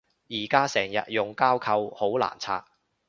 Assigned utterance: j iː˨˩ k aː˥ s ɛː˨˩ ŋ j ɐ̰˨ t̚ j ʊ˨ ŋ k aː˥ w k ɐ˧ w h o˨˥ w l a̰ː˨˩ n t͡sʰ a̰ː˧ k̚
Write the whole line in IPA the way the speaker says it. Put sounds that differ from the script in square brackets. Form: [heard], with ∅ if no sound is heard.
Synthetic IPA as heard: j iː˨˩ k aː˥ s ɛː˨˩ ŋ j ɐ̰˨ t̚ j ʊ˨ ŋ k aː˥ w [kʰ] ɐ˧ w h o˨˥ w l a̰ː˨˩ n t͡sʰ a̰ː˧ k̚